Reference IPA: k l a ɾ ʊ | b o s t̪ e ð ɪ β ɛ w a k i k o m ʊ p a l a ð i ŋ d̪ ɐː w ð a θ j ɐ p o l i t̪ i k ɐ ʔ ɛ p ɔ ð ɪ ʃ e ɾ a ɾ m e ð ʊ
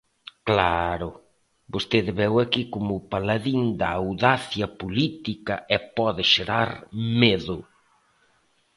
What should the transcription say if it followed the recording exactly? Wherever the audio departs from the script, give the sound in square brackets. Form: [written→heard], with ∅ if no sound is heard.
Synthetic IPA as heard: k l a ɾ ʊ | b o s t̪ e ð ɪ β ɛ w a k i k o m ʊ p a l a ð i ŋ d̪ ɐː w ð a θ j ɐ p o l i t̪ i k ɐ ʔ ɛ p ɔ ð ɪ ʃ e ɾ a ɾ m e ð ʊ